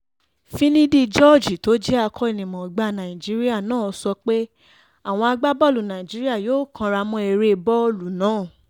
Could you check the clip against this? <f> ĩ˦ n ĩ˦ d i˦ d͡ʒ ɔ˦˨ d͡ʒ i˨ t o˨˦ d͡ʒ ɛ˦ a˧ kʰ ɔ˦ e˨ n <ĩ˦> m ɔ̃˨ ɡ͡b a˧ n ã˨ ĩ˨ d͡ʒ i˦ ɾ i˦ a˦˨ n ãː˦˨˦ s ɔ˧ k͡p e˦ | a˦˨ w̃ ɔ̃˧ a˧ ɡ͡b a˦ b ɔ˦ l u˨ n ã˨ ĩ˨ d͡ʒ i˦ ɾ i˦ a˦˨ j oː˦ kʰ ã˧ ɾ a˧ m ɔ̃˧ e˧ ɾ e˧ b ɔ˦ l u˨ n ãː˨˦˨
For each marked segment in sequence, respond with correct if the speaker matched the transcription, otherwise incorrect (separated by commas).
correct, incorrect